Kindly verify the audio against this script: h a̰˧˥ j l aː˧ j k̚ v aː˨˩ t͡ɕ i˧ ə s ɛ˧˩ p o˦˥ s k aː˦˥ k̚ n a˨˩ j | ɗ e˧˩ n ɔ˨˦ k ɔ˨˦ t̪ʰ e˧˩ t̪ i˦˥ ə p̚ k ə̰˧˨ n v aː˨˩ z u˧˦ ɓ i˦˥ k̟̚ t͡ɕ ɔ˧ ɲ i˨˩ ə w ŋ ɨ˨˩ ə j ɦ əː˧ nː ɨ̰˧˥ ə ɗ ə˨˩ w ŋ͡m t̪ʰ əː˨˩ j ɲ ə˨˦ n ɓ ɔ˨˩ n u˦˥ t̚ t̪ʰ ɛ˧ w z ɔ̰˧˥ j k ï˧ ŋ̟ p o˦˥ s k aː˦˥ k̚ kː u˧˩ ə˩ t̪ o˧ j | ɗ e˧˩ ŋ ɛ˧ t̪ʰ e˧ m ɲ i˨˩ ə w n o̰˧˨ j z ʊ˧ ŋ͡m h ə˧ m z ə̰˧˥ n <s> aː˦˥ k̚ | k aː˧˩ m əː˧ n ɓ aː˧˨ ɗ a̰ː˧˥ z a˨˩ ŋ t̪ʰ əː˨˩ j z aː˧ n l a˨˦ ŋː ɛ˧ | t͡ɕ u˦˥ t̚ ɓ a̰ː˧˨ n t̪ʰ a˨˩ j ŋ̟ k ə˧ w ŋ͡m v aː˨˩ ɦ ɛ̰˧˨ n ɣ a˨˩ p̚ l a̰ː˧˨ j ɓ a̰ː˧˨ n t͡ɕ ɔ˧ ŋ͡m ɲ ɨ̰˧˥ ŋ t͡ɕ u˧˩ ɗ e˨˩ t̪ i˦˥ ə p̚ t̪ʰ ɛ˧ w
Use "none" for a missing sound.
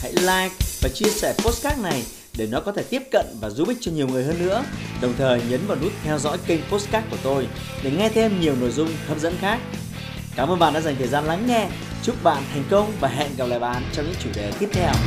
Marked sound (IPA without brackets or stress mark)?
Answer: x